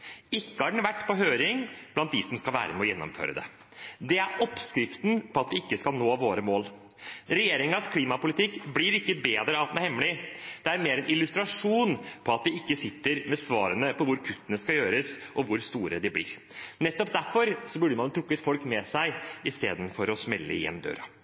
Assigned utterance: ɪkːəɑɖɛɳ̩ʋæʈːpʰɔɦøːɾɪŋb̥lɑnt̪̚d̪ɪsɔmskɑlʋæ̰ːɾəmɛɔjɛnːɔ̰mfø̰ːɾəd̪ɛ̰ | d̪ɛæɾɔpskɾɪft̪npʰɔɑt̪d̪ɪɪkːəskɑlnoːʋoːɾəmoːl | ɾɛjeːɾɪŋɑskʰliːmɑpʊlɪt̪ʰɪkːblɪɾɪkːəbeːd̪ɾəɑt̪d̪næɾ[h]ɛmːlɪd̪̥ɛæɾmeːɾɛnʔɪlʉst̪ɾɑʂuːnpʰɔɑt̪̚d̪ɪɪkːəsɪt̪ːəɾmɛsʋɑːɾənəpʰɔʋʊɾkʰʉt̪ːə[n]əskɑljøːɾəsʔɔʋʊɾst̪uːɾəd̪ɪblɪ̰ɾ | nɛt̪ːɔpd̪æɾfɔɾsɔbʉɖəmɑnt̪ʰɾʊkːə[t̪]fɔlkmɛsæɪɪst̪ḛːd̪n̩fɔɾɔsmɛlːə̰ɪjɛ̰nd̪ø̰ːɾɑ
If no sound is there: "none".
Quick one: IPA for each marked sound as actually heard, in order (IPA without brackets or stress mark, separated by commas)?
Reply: h, n, t̪